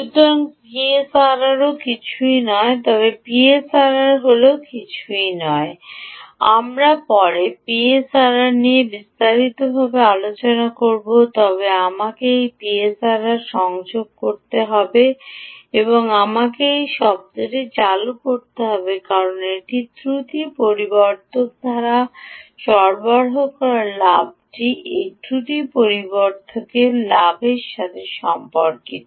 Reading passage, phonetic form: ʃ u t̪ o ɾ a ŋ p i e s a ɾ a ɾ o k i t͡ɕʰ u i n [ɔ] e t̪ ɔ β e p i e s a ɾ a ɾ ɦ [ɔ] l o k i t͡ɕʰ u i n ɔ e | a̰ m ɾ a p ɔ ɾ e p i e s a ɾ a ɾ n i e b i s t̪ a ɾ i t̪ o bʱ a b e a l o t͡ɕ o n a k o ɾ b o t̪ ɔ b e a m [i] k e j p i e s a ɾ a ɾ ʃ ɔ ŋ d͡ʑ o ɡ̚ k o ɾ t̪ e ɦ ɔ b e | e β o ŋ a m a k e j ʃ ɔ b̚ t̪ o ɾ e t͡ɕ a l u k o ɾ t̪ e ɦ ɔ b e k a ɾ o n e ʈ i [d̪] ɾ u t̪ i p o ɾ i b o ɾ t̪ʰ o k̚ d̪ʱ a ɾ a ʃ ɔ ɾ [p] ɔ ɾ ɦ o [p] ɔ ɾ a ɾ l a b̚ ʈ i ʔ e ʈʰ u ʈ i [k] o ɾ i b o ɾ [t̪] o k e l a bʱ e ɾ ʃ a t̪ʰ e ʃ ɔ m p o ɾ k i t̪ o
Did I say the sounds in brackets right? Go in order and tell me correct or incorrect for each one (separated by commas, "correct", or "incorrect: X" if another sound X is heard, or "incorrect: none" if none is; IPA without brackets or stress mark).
correct, incorrect: o, incorrect: a, incorrect: t̪, incorrect: b, incorrect: k, incorrect: p, incorrect: t̪ʰ